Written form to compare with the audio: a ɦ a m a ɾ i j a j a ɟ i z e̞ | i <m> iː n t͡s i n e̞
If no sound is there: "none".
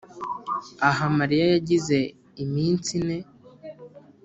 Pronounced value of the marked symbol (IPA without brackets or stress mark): m